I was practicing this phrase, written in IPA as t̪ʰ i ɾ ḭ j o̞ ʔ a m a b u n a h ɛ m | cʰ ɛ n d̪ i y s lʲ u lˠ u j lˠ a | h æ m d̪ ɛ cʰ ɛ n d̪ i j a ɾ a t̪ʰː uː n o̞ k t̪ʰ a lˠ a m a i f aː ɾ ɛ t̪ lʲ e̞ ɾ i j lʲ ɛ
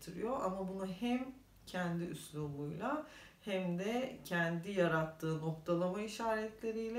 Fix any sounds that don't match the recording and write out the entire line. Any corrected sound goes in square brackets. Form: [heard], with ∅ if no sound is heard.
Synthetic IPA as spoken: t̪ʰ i ɾ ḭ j o̞ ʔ a m a b u n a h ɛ m | cʰ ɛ n d̪ i y s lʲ u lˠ u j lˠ a | h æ m d̪ ɛ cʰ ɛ n d̪ i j a ɾ a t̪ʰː [ɯː] n o̞ k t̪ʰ a lˠ a m a i [ʃ] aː ɾ ɛ t̪ lʲ e̞ ɾ i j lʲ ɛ